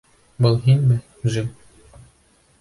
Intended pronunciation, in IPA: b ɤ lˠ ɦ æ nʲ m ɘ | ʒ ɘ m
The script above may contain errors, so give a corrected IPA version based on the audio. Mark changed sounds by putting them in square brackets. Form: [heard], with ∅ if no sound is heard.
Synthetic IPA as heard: b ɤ lˠ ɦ [i] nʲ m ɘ | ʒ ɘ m